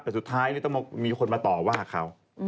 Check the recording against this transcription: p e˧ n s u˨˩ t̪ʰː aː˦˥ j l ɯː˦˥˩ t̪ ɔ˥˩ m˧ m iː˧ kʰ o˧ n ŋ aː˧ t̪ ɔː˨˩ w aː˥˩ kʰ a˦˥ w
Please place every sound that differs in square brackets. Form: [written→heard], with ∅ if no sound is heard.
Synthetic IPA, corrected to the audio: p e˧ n s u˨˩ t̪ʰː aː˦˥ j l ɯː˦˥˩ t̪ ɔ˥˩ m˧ m iː˧ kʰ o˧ n [ŋ→m] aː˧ t̪ ɔː˨˩ w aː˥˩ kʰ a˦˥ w